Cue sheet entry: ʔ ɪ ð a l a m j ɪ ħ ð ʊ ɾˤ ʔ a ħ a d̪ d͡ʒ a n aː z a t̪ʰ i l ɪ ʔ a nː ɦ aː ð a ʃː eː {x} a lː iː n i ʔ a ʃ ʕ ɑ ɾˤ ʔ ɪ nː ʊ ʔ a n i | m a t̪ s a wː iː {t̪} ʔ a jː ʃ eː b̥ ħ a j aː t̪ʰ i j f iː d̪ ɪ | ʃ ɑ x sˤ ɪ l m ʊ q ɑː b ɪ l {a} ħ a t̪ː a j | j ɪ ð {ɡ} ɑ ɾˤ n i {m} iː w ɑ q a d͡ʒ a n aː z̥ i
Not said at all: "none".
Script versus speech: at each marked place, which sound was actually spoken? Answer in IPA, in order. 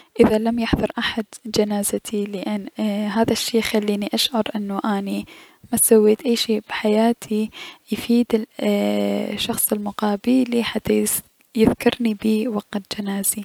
x, t̪, i, k, b

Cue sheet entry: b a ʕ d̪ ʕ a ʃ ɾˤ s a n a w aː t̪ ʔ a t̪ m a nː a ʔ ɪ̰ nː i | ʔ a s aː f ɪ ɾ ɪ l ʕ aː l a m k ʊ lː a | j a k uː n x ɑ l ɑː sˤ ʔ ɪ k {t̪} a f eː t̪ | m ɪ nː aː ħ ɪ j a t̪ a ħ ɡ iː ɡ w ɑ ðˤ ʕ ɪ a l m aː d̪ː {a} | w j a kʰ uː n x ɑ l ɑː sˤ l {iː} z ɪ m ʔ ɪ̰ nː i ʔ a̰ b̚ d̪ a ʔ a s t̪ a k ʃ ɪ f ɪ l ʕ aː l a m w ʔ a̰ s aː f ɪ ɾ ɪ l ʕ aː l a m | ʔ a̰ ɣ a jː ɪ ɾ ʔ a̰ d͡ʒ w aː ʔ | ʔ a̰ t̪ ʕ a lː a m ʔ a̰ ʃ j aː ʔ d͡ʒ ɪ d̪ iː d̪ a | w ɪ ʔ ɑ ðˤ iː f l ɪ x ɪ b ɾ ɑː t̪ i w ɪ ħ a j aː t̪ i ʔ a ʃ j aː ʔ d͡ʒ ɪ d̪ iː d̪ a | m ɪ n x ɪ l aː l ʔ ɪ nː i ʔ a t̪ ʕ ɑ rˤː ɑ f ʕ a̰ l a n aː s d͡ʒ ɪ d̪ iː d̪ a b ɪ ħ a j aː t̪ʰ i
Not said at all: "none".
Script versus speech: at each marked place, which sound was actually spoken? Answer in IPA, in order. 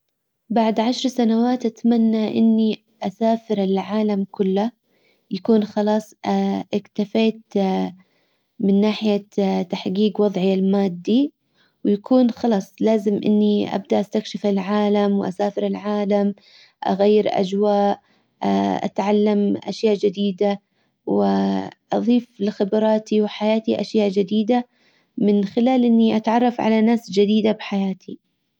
t̪, i, aː

